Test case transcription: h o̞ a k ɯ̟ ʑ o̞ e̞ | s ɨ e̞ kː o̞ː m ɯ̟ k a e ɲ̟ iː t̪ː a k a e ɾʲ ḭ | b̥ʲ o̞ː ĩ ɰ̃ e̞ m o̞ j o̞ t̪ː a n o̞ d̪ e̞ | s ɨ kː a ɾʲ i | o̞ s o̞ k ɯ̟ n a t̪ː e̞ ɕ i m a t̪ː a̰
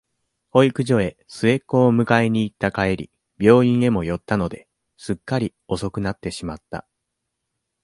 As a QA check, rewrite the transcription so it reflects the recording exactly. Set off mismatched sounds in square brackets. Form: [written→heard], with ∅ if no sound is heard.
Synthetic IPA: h o̞ [a→i] k ɯ̟ ʑ o̞ e̞ | s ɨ e̞ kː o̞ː m ɯ̟ k a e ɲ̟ iː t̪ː a k a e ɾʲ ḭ | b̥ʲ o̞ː ĩ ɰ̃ e̞ m o̞ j o̞ t̪ː a n o̞ d̪ e̞ | s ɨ kː a ɾʲ i | o̞ s o̞ k ɯ̟ n a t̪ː e̞ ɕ i m a t̪ː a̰